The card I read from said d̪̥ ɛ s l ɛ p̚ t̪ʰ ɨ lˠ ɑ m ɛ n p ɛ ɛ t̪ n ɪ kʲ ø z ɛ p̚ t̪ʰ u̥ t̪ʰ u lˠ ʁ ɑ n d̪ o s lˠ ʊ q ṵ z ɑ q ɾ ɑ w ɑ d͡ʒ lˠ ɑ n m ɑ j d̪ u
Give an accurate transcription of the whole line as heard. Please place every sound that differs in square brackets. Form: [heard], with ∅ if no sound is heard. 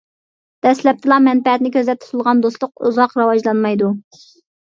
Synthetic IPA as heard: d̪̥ ɛ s l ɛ p̚ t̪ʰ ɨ lˠ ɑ m ɛ n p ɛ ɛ t̪ n ɪ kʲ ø z ɛ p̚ t̪ʰ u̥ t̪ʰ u lˠ ʁ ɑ n d̪ o s lˠ ʊ q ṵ z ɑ q ɾ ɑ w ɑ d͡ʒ lˠ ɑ n m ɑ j d̪ u